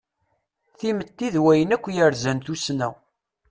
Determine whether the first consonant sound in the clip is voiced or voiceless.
voiceless